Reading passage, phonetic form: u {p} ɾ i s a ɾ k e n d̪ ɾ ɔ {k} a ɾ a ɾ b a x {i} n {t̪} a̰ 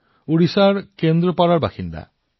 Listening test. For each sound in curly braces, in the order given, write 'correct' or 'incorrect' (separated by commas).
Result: incorrect, incorrect, correct, incorrect